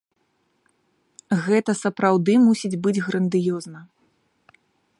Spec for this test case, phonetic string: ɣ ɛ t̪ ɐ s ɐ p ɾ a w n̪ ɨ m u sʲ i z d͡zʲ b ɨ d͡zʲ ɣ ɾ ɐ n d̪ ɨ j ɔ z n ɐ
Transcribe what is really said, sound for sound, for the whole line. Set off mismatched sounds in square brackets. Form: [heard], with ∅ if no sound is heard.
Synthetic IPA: ɣ ɛ t̪ ɐ s ɐ p ɾ a w [d̪] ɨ m u sʲ i [∅] d͡zʲ b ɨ d͡zʲ ɣ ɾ ɐ n d̪ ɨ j ɔ z n ɐ